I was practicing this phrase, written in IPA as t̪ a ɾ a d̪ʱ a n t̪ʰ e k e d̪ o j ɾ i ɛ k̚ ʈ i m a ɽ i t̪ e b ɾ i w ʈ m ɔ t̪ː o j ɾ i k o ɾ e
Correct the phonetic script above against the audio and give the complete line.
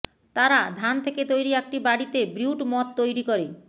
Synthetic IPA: t̪ a ɾ a d̪ʱ a n t̪ʰ e k e t̪ o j ɾ i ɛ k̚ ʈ i b a ɽ i t̪ e b ɾ i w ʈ m ɔ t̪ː o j ɾ i k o ɾ e